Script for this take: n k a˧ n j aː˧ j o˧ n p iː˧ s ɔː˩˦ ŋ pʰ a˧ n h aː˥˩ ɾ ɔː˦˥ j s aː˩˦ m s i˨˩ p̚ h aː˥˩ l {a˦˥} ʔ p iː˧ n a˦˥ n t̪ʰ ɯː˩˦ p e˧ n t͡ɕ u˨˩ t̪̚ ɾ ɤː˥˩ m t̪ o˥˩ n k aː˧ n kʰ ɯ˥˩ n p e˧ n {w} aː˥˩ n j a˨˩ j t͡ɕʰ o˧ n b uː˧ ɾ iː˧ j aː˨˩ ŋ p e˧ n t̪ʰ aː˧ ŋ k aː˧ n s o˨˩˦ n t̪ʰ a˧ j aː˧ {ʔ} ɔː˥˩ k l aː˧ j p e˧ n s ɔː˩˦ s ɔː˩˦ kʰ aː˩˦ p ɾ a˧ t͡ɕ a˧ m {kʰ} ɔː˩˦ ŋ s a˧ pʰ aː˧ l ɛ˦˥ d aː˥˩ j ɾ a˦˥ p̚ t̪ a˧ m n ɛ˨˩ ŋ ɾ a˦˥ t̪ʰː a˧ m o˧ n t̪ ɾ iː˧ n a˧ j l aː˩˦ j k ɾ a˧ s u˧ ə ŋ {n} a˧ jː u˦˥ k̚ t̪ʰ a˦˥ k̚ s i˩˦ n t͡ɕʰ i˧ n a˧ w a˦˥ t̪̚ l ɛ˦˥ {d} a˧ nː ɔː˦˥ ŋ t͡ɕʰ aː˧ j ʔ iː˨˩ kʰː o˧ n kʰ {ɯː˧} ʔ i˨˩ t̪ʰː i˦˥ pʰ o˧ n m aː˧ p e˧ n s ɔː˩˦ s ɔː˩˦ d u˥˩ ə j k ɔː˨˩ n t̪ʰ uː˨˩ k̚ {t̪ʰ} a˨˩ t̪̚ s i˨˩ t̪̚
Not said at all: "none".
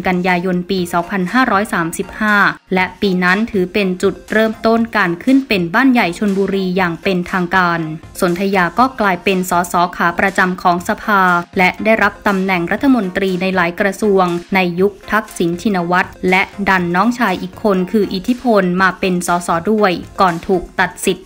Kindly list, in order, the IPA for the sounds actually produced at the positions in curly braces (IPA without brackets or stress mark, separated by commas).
ɛ˦˥, b, k, kʰ, n, d, ɯː˧, t̪